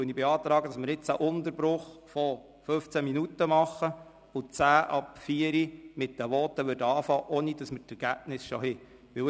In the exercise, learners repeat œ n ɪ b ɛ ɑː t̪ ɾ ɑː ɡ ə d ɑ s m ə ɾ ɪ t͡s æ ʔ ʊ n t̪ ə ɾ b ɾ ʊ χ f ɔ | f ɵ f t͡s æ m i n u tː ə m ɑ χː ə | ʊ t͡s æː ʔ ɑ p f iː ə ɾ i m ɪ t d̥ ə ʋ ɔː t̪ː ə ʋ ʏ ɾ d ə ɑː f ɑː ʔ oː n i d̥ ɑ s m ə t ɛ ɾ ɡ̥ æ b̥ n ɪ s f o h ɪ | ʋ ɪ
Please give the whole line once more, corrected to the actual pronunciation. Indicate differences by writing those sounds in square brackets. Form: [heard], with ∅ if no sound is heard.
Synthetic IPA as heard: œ n [i] b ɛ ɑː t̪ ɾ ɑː ɡ ə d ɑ s m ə ɾ ɪ t͡s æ ʔ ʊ n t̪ ə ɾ b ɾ ʊ χ f ɔ | f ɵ f t͡s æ m i n u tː ə m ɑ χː ə | ʊ t͡s æː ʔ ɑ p f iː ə ɾ i m ɪ t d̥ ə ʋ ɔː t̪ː ə ʋ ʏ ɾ d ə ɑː f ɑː ʔ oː n i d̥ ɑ s m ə t ɛ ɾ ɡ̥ æ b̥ n ɪ s [ʃ] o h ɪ | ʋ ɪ